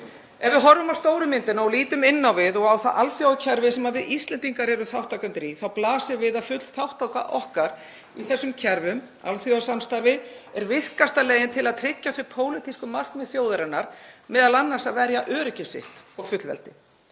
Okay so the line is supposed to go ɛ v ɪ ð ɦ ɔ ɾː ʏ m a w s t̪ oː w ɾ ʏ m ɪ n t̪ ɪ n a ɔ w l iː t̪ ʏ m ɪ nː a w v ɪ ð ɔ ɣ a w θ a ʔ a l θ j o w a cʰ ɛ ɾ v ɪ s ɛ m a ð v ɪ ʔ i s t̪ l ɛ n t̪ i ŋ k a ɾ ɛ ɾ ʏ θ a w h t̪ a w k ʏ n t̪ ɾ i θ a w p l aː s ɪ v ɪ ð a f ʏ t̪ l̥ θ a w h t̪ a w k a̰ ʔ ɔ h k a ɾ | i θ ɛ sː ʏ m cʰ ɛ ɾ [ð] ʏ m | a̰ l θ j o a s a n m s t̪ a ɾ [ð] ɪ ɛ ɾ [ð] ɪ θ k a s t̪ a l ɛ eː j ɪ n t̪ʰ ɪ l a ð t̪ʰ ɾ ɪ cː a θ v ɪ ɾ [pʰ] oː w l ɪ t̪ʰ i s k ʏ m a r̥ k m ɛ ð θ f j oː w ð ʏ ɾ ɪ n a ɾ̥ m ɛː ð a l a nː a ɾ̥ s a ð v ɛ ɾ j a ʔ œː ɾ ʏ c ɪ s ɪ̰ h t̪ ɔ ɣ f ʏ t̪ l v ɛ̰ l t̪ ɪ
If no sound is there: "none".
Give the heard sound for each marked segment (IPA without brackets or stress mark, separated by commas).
v, v, v, pʰ